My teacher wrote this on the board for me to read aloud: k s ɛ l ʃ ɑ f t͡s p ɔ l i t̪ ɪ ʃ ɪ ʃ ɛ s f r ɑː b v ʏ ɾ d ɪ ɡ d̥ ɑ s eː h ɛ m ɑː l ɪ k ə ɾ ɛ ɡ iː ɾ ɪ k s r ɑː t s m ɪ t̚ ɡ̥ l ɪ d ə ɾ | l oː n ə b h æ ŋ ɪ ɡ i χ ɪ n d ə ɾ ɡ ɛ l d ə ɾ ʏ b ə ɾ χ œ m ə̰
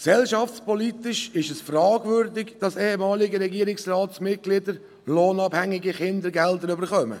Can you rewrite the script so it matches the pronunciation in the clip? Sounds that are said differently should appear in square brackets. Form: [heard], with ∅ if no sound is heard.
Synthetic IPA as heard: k s ɛ l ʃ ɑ f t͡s p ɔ l i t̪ ɪ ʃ ɪ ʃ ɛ s f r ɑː [ɡ] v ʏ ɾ d ɪ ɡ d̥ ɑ s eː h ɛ m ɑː l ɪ [ɡ] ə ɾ ɛ ɡ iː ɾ ɪ k s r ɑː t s m ɪ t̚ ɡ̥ l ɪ d ə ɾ | l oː n [ɑ] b h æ ŋ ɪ ɡ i χ ɪ n d ə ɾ ɡ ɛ l d ə ɾ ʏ b ə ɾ χ œ m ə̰